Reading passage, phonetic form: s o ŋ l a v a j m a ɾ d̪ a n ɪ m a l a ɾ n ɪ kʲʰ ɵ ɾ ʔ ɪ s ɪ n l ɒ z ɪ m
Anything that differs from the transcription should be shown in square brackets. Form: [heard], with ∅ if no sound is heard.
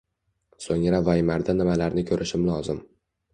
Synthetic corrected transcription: s o ŋ [ɾ] a v a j m a ɾ d̪ a n ɪ m a l a ɾ n ɪ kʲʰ ɵ ɾ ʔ ɪ [ʃ] ɪ [m] l ɒ z ɪ m